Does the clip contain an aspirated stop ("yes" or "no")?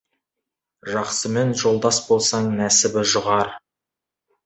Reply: no